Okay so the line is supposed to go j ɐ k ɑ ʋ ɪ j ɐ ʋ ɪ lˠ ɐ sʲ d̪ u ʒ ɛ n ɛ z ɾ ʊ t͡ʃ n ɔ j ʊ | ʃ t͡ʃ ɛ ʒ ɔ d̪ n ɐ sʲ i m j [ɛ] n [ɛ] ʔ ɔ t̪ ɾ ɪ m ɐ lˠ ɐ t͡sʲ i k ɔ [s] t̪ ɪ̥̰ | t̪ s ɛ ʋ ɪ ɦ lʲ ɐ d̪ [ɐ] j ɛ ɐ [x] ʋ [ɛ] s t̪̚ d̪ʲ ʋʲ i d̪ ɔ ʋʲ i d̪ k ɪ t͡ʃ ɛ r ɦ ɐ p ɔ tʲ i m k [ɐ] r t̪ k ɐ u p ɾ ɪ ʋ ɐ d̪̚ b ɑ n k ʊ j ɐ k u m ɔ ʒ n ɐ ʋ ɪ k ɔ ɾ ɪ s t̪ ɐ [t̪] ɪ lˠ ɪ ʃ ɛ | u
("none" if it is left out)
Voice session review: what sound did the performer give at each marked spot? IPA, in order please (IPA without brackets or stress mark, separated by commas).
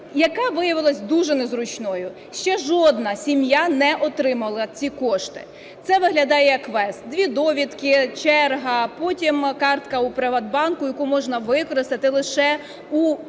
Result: a, ɛ, ʃ, ɑ, k, ɛ, ɑ, t̪